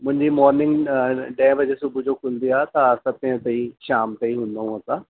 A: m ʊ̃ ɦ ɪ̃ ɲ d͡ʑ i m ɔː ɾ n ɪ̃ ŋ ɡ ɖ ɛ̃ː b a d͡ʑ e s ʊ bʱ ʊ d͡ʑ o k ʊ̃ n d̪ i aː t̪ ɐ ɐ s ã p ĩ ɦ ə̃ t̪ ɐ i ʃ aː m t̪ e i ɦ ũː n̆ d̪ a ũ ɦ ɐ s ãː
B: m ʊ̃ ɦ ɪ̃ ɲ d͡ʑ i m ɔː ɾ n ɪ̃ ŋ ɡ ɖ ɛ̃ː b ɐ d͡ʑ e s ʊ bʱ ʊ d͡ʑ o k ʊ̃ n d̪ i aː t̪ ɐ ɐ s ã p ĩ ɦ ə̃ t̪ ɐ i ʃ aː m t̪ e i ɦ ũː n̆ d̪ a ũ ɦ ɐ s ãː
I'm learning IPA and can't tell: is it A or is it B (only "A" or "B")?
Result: B